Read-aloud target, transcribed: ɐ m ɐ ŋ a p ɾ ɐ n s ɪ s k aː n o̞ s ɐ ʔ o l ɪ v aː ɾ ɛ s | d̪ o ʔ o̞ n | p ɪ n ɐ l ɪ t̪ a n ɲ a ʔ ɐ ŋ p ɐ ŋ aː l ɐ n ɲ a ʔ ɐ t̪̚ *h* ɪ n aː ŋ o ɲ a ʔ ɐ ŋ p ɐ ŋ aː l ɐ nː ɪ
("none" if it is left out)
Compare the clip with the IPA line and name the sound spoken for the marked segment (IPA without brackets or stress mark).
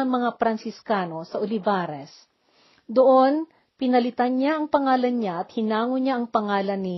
h